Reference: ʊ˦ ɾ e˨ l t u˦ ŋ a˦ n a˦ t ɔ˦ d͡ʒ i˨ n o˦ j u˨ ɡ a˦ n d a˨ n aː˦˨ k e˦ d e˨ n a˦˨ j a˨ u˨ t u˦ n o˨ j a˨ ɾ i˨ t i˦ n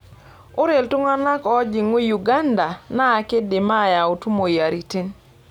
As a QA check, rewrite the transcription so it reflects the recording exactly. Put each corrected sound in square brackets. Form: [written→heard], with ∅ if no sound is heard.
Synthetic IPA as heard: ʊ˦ ɾ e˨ l t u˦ ŋ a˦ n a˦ [t→k] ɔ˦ d͡ʒ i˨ [n→ŋ] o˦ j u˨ ɡ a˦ n d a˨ n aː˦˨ k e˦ d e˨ [n→m] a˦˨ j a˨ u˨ t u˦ [n→m] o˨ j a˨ ɾ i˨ t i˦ n